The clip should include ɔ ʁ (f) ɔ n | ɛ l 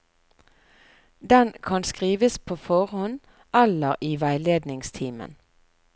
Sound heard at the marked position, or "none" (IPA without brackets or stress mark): h